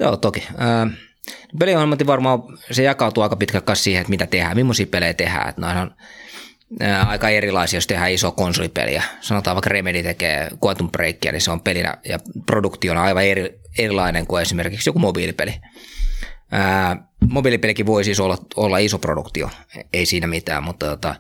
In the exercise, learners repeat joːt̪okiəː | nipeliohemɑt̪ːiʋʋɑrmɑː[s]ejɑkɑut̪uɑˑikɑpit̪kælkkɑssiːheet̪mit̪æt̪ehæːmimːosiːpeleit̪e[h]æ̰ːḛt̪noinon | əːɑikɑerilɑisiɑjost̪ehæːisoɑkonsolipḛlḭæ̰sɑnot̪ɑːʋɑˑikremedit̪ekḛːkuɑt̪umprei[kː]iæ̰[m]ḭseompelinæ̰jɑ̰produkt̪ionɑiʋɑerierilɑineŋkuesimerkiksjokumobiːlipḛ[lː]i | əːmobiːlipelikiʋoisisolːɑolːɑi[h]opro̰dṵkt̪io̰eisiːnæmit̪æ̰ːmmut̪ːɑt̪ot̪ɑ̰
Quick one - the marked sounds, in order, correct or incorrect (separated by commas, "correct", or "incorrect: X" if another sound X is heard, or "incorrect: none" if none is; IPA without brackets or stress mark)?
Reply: correct, correct, correct, incorrect: n, incorrect: l, incorrect: s